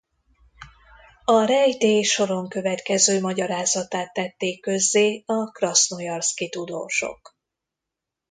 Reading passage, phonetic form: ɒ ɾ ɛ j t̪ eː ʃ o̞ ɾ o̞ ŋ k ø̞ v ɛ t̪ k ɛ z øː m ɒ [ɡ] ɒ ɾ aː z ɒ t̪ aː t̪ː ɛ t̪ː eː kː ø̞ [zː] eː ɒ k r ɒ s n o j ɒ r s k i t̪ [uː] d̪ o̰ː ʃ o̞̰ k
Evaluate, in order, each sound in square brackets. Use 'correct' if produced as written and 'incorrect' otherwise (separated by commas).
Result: incorrect, correct, incorrect